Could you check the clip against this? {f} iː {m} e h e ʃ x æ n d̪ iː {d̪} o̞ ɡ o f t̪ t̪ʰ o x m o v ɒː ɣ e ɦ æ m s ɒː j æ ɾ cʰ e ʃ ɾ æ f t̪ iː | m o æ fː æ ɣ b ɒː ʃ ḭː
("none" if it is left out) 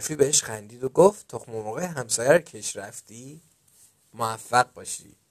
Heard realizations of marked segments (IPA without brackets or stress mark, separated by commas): f, b, d̪